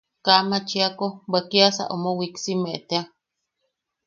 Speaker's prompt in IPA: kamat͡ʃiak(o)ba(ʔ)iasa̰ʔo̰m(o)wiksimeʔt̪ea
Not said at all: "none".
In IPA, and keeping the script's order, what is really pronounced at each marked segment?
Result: o, k, o

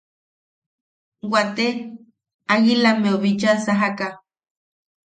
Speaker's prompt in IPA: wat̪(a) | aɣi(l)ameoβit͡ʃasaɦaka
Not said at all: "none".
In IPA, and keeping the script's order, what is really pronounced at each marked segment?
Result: e, l

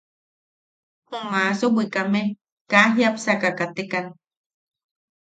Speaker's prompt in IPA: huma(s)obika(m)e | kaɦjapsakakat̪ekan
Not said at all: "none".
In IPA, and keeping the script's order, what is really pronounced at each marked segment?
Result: s, m

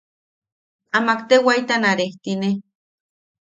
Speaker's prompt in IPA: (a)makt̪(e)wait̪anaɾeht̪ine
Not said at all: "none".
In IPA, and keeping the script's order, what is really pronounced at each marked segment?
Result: a, e

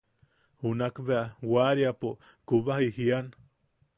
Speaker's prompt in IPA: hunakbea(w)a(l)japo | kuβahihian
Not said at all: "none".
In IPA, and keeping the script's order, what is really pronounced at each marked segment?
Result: w, ɾ

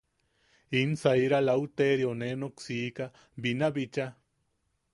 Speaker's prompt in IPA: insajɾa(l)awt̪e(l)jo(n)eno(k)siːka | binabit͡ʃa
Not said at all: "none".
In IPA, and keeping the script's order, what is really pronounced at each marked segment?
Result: l, ɾ, n, k

